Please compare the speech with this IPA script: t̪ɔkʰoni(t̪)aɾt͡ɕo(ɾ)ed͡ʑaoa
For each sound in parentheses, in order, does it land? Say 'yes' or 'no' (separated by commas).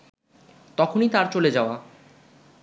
yes, no